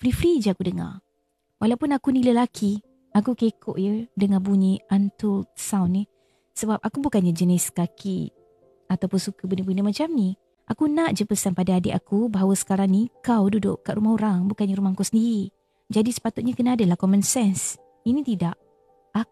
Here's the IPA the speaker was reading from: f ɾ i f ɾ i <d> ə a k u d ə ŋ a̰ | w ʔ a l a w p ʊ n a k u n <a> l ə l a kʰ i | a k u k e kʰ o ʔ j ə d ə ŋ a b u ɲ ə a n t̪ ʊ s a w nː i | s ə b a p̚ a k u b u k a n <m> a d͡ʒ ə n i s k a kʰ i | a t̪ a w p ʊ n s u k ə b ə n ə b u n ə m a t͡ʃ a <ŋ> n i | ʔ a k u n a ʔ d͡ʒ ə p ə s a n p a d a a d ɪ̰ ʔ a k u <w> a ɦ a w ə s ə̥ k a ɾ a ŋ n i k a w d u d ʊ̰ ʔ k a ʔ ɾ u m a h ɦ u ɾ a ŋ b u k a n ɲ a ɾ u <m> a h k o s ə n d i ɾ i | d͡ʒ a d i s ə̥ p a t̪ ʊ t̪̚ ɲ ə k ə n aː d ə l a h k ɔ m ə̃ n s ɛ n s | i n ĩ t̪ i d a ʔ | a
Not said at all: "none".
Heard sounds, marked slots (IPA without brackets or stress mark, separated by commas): d͡ʒ, i, ɲ, m, b, m